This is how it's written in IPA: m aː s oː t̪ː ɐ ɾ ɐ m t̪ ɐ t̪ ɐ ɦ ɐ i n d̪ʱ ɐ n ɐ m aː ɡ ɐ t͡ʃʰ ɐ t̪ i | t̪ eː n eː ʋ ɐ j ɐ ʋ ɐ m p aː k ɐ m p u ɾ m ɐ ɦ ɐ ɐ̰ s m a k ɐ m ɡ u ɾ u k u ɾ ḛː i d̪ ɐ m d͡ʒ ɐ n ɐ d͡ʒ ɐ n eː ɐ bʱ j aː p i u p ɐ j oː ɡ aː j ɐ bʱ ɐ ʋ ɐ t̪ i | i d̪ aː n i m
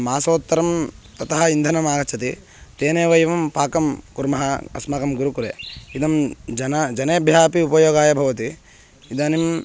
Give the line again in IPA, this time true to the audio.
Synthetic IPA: m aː s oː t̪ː ɐ ɾ ɐ m t̪ ɐ t̪ ɐ ɦ ɐ i n d̪ʱ ɐ n ɐ m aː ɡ ɐ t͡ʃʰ ɐ t̪ i | t̪ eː n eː ʋ ɐ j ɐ ʋ ɐ m p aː k ɐ m k u ɾ m ɐ ɦ ɐ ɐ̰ s m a k ɐ m ɡ u ɾ u k u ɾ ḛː i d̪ ɐ m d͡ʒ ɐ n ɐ d͡ʒ ɐ n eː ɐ bʱ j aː p i u p ɐ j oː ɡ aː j ɐ bʱ ɐ ʋ ɐ t̪ i | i d̪ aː n i m